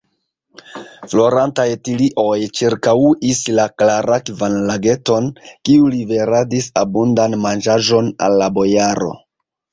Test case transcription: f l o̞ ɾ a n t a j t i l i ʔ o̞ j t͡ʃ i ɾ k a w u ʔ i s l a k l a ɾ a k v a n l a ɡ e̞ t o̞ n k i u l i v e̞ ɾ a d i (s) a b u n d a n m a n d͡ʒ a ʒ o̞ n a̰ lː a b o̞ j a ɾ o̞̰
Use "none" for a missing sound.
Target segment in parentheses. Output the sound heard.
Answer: s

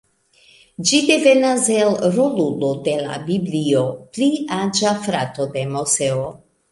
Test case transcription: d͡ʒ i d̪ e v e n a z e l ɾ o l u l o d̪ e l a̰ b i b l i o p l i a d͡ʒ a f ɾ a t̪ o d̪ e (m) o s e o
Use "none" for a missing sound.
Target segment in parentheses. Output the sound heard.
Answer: m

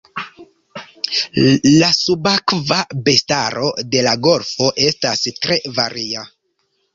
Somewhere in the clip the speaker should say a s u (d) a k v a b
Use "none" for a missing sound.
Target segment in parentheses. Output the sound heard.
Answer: b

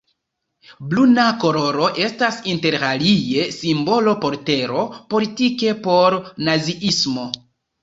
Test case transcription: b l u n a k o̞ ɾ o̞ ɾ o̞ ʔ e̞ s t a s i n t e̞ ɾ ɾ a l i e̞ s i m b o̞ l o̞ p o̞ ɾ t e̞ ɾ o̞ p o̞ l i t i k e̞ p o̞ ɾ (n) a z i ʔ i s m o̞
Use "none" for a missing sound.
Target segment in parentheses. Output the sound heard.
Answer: n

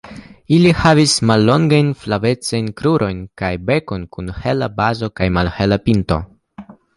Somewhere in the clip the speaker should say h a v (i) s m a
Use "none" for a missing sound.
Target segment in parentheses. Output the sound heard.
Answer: i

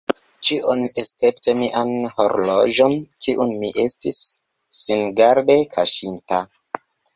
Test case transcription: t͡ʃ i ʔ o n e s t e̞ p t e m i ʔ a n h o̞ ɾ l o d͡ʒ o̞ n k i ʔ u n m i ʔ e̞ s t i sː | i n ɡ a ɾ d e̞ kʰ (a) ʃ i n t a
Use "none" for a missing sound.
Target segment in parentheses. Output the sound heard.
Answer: a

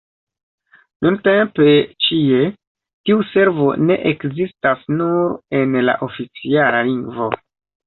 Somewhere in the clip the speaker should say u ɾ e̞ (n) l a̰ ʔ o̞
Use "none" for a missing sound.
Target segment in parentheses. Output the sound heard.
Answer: n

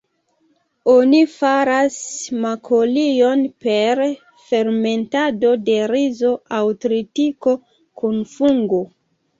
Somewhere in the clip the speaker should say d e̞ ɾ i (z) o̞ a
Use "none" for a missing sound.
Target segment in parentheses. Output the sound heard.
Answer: z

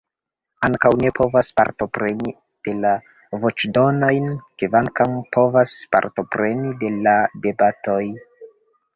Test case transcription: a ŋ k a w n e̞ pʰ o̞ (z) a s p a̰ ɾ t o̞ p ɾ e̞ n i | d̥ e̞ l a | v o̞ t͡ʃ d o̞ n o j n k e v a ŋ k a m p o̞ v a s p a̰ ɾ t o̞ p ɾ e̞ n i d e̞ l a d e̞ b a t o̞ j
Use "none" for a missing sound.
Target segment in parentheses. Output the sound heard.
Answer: v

